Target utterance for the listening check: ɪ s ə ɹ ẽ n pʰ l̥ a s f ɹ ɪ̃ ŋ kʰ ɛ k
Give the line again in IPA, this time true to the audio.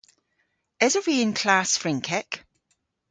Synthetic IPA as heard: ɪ z ə ɹ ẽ n kʰ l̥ a s f ɹ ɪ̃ ŋ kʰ ɛ k